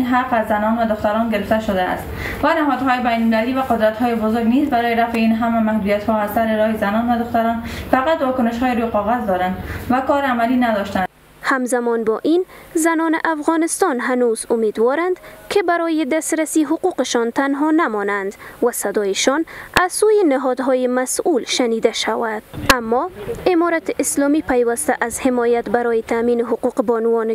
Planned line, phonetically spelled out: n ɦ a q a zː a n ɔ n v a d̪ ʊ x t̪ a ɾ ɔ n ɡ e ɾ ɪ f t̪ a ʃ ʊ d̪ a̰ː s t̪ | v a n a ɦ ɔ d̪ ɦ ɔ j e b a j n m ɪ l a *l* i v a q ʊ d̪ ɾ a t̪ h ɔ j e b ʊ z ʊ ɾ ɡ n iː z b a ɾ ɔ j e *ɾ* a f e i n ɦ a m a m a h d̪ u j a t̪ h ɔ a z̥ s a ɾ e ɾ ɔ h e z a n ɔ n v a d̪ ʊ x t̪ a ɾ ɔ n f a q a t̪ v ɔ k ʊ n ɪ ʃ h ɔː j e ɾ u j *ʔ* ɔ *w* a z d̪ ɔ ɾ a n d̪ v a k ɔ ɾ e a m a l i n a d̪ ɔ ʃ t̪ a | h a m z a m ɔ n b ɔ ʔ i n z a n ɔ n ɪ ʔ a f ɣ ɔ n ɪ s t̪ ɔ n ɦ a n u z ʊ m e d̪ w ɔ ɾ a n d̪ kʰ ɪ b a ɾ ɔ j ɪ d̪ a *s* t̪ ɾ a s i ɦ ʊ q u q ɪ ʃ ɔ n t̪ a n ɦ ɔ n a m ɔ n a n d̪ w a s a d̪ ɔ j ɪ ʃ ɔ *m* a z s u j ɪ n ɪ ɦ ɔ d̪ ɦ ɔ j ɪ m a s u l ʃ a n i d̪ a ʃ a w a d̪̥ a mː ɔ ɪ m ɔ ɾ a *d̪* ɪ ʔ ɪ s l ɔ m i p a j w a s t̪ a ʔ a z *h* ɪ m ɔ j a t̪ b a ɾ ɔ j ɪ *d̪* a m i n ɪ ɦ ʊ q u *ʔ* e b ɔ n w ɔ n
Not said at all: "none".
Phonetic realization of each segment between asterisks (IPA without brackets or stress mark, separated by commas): l, ɾ, q, ɣ, s, n, t̪, h, t̪, q